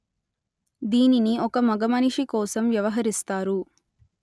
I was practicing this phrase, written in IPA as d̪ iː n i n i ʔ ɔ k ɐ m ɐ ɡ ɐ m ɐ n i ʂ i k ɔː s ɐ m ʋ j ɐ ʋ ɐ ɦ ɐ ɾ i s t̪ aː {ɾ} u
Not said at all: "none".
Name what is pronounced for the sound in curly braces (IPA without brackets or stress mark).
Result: ɾ